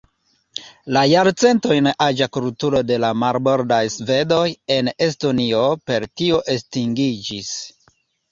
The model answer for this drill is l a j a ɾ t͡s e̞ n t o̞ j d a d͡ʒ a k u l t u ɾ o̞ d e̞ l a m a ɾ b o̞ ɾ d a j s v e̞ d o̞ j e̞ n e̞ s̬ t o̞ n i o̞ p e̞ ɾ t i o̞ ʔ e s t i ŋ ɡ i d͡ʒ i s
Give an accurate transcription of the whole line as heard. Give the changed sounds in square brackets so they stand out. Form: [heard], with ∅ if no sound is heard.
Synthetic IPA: l a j a ɾ t͡s e̞ n t o̞ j [n] a d͡ʒ a k u l t u ɾ o̞ d e̞ l a m a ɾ b o̞ ɾ d a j s v e̞ d o̞ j e̞ n e̞ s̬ t o̞ n i o̞ p e̞ ɾ t i o̞ ʔ e s t i ŋ ɡ i d͡ʒ i s

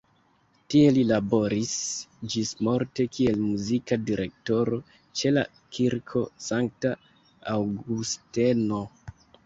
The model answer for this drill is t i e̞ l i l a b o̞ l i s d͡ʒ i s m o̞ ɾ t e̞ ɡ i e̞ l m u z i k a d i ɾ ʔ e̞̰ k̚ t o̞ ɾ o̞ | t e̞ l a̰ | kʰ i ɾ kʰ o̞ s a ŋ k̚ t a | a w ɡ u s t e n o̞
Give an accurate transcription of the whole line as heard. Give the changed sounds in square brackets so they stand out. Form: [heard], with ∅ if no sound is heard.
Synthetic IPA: t i e̞ l i l a b o̞ [ɾ] i s d͡ʒ i s m o̞ ɾ t e̞ [k] i e̞ l m u z i k a d i ɾ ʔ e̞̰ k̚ t o̞ ɾ o̞ | [t͡ʃ] e̞ l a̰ | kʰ i ɾ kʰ o̞ s a ŋ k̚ t a | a w ɡ u s t e n o̞

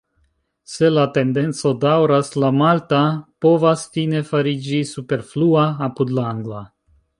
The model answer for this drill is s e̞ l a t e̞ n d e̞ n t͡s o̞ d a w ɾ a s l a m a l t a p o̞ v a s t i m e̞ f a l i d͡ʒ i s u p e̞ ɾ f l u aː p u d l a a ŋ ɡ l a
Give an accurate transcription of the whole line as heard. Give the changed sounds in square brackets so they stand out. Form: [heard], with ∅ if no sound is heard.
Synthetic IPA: s e̞ l a t e̞ n d e̞ n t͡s o̞ d a w ɾ a s l a m a l t a p o̞ v a s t i [n] e̞ f a [ɾ] i d͡ʒ i s u p e̞ ɾ f l u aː p u d l a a ŋ ɡ l a

